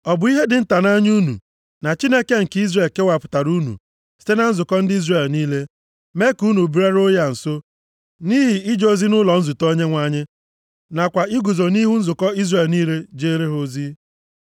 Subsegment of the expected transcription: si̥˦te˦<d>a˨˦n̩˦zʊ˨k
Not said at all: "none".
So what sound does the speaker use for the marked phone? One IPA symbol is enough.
n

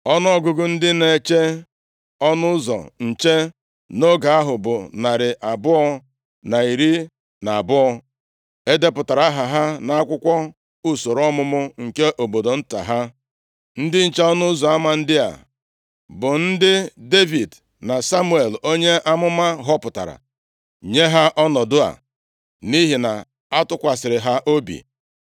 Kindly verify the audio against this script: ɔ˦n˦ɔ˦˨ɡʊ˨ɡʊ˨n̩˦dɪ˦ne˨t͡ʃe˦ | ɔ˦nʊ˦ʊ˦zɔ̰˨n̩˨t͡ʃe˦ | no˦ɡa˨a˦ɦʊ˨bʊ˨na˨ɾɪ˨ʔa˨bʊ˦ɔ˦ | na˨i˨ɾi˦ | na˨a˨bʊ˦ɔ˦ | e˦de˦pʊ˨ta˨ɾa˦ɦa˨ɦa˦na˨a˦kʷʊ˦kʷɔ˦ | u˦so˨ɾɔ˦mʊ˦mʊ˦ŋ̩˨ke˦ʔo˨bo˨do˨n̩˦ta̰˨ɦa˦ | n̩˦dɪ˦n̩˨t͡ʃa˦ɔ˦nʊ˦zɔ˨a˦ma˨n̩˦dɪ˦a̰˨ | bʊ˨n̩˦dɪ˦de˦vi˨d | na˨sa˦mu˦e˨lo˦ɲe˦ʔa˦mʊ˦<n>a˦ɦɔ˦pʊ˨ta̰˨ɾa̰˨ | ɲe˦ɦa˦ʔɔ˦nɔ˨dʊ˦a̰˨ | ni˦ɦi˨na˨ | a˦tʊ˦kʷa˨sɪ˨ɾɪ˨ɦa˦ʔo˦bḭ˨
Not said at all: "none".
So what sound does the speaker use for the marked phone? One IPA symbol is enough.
m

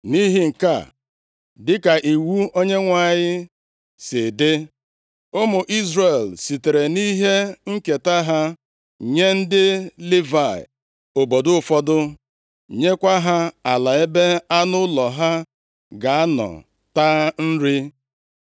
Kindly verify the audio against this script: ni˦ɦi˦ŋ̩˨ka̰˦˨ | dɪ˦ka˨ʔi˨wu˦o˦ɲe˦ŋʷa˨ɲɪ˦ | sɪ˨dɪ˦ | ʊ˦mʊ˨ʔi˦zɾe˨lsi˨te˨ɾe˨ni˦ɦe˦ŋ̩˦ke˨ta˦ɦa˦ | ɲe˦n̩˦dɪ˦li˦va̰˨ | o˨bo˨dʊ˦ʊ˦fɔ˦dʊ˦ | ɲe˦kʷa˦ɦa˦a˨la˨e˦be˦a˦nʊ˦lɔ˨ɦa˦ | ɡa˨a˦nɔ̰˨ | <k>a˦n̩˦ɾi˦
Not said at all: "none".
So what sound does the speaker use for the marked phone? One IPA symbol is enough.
t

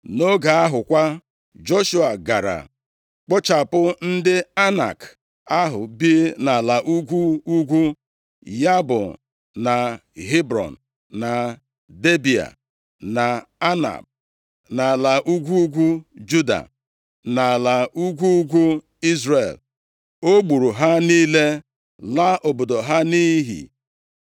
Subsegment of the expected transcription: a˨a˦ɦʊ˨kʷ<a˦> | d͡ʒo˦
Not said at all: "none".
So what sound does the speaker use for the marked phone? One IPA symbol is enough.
a˦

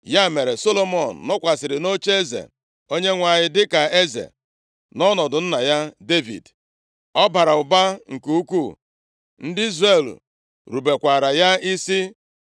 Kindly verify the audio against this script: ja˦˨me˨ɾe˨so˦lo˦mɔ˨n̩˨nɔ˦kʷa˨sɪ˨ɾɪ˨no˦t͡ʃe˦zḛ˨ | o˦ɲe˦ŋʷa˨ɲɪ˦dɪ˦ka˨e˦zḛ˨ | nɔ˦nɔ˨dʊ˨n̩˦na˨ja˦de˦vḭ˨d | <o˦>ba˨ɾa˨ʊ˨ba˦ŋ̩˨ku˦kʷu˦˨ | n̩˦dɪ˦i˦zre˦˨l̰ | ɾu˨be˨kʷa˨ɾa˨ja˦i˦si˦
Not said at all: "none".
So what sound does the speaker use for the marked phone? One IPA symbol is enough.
ɔ˦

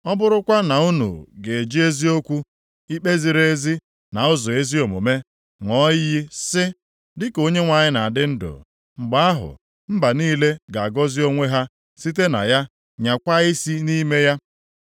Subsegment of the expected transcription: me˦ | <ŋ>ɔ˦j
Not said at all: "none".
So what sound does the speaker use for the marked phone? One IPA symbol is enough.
ŋ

